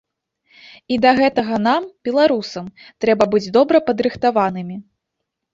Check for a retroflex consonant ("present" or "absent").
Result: absent